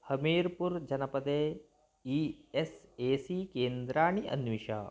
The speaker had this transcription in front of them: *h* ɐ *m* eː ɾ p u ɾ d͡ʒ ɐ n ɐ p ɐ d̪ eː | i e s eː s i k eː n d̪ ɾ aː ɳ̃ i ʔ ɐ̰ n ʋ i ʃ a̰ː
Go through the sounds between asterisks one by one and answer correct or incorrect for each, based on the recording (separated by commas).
correct, correct